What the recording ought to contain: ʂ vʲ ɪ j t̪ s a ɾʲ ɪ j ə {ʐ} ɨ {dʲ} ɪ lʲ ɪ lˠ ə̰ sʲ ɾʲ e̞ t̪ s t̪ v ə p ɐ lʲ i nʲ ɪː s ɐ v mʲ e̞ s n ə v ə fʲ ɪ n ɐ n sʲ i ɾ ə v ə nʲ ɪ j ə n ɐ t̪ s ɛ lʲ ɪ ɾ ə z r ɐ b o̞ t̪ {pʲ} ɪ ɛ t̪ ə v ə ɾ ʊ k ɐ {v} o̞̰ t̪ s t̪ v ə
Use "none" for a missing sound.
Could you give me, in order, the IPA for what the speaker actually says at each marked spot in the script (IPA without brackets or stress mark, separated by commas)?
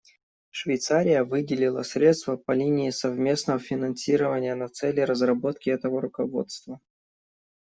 v, dʲ, kʲ, v